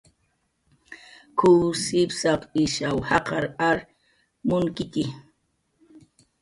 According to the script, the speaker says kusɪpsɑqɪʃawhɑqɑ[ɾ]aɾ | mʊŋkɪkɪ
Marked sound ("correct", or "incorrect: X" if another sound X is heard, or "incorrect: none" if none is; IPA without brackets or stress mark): correct